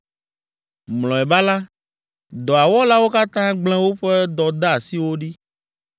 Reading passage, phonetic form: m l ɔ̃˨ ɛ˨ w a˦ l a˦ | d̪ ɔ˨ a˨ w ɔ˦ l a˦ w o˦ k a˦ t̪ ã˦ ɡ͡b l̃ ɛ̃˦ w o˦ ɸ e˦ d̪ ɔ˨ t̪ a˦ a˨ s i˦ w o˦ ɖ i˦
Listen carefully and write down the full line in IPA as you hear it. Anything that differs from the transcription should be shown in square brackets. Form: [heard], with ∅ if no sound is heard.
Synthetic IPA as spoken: m l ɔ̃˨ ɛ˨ [b] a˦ l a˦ | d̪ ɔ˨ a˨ w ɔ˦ l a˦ w o˦ k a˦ t̪ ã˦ ɡ͡b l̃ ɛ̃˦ w o˦ ɸ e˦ d̪ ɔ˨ [d̪] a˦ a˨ s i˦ w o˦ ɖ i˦